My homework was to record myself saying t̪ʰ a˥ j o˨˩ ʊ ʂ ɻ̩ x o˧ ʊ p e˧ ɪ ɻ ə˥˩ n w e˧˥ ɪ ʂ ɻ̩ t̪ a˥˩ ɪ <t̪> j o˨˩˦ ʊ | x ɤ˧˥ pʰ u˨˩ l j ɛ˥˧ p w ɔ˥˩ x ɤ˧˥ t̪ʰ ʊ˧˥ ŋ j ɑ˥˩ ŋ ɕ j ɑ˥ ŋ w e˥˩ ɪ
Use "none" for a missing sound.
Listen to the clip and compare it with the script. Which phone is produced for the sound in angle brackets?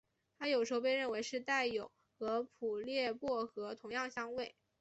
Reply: none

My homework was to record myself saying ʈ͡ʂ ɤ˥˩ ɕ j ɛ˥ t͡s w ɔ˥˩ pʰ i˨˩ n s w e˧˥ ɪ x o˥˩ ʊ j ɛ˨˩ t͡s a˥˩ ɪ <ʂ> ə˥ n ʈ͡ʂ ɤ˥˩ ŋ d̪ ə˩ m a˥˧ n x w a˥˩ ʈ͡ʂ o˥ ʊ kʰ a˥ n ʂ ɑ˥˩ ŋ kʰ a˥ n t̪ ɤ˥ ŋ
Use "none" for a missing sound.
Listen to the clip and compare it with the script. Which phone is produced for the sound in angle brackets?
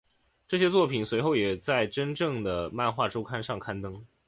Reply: ʈ͡ʂ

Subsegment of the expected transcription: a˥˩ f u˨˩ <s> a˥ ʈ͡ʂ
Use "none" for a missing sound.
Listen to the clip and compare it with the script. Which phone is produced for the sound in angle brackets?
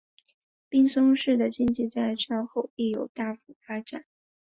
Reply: f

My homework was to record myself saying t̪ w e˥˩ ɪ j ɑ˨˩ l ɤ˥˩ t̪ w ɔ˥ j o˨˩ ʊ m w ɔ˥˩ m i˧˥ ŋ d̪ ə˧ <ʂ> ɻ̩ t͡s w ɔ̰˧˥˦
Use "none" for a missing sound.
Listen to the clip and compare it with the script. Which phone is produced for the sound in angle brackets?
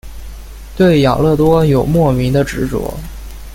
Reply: ʈ͡ʂ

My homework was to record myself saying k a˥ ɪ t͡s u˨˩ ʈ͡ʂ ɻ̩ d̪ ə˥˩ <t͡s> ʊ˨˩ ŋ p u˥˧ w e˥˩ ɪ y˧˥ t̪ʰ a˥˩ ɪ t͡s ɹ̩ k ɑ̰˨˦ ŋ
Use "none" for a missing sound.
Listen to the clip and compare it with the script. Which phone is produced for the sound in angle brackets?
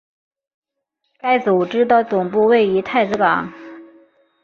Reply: t͡s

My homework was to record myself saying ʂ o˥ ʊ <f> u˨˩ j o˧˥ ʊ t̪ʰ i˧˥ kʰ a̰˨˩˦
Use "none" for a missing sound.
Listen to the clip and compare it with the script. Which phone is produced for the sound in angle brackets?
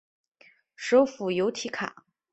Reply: f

